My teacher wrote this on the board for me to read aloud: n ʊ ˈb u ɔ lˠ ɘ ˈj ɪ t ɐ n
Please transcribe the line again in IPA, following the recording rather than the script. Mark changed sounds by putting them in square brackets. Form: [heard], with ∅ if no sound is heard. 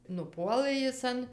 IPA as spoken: n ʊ [ˈp] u ɔ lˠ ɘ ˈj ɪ [s] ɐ n